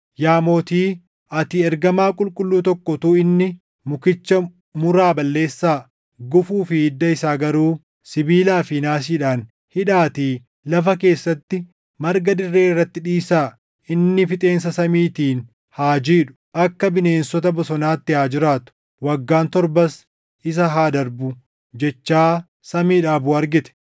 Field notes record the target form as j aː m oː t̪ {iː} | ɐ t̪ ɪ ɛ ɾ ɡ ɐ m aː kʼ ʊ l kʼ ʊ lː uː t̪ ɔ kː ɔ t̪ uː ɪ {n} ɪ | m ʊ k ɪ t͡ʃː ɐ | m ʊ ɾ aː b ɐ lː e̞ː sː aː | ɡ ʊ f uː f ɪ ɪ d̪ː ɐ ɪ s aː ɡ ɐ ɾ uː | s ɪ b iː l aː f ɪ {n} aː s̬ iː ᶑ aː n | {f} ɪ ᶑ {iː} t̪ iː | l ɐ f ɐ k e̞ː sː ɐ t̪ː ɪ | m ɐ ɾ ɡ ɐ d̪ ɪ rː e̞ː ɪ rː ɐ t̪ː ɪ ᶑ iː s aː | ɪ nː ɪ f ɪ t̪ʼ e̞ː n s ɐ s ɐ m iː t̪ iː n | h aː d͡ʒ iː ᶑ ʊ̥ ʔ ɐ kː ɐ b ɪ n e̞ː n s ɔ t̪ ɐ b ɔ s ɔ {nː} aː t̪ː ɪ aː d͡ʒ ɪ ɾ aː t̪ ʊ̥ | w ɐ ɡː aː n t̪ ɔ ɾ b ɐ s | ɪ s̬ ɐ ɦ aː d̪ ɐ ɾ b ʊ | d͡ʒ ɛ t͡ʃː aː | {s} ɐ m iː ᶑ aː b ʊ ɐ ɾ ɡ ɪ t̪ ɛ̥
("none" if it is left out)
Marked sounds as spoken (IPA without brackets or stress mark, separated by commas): iː, nː, n, h, aː, n, s